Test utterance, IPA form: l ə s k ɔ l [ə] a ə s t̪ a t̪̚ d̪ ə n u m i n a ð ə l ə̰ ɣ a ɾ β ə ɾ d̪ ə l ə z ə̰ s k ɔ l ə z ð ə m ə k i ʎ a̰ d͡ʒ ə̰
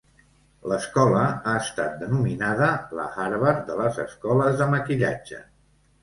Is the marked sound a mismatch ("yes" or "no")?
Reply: no